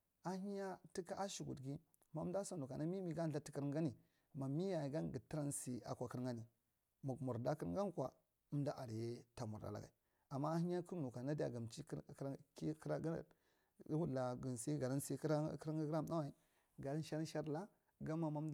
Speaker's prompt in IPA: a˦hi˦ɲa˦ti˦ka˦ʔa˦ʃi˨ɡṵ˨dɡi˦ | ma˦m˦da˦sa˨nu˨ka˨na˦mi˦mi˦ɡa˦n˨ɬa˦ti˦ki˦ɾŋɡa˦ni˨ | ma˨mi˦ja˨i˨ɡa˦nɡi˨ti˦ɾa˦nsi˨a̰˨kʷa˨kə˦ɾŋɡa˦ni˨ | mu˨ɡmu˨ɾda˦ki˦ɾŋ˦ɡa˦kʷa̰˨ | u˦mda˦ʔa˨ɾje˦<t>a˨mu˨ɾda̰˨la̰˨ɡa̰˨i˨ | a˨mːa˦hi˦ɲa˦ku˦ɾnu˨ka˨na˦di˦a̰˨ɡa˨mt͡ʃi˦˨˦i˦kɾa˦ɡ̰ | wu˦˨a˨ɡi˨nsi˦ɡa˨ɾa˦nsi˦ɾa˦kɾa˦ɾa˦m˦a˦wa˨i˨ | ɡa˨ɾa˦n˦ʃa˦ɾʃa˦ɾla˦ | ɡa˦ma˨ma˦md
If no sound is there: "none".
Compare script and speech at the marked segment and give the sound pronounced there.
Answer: t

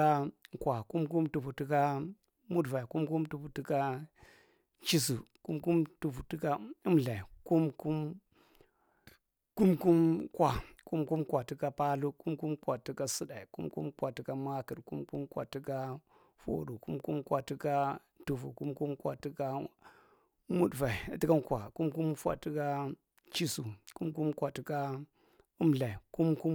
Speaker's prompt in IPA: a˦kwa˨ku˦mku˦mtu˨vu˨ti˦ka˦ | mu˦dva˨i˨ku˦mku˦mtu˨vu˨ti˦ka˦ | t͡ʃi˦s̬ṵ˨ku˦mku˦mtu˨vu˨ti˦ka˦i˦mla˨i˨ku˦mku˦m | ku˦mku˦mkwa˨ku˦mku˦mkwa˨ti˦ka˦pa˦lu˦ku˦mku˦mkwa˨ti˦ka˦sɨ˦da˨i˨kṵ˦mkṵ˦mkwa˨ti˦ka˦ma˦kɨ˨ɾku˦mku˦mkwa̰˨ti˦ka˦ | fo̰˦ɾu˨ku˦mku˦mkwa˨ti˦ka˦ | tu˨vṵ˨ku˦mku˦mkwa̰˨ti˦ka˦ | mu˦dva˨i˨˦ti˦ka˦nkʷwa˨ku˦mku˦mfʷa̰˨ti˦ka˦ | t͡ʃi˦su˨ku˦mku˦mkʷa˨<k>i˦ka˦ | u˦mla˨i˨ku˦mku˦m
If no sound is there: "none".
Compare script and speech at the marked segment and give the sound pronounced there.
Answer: t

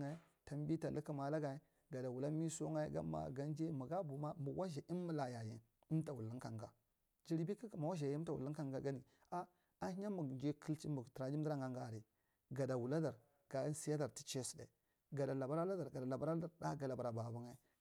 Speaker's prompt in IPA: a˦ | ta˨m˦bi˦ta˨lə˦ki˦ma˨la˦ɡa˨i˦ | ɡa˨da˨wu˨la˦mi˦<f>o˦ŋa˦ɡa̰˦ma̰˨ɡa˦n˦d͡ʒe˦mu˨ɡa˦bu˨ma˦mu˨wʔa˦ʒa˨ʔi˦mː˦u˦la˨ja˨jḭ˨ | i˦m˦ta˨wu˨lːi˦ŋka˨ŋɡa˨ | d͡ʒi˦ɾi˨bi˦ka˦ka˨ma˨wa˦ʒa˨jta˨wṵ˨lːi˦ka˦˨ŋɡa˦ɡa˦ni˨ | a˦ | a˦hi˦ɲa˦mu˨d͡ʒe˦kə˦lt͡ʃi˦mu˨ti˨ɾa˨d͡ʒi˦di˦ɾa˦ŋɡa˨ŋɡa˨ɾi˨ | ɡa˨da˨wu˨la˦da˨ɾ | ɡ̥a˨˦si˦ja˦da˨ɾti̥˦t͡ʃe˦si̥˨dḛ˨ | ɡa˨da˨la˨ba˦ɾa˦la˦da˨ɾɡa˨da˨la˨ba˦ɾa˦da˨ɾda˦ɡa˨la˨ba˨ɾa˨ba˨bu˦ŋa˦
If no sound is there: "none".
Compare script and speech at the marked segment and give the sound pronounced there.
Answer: s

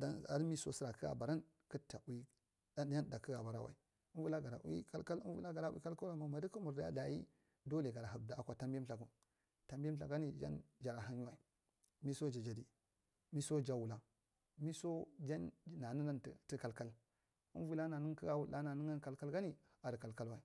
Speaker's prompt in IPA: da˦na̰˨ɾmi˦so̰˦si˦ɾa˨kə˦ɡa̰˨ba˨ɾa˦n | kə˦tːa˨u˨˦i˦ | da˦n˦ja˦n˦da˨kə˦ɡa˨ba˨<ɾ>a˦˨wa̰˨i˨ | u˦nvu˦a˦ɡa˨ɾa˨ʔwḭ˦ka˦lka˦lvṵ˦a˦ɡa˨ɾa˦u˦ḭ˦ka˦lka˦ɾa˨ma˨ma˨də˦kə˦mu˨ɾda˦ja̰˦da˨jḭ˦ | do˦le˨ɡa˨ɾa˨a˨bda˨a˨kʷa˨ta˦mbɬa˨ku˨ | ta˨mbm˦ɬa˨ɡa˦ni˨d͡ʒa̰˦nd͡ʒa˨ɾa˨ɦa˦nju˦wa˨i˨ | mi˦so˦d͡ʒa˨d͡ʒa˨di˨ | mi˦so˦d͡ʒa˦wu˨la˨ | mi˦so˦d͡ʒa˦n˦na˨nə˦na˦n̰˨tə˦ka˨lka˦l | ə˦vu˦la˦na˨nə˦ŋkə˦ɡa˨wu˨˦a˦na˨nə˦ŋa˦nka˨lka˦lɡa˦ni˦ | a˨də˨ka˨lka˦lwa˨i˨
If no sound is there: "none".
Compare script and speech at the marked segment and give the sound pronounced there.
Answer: ɾ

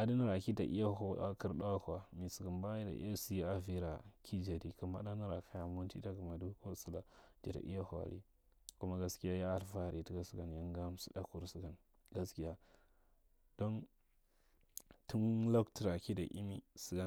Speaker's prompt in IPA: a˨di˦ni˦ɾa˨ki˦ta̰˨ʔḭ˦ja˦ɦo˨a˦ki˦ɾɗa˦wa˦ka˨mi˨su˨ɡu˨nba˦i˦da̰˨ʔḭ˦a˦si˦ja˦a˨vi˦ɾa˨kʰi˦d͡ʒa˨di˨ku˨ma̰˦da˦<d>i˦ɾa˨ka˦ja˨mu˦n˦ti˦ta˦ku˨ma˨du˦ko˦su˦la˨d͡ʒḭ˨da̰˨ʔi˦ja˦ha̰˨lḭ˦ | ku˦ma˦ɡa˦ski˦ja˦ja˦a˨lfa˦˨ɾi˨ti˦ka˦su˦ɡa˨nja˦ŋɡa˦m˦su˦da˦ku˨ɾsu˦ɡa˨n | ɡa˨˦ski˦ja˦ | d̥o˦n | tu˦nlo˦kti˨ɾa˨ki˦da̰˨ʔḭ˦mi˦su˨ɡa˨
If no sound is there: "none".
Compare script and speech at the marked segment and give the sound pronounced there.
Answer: n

